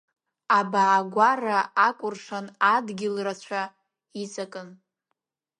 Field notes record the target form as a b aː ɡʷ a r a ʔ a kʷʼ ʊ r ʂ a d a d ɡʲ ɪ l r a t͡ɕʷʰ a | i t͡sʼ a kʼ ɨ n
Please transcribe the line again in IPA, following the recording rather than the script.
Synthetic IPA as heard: a b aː ɡʷ a r a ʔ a kʷʼ ʊ r ʂ a n a d ɡʲ ɪ l r a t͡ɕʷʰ a | i t͡sʼ a kʼ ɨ n